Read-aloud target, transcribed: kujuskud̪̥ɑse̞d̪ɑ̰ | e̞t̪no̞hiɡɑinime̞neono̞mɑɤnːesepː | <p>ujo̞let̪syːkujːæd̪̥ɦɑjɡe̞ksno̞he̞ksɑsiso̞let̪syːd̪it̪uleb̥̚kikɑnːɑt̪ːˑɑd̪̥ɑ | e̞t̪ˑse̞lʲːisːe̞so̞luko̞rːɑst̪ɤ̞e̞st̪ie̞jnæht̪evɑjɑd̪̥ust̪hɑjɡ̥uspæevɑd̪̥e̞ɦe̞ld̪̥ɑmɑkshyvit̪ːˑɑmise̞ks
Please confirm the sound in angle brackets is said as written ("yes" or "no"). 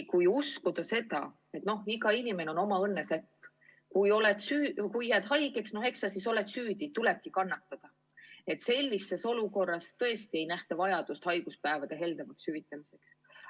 no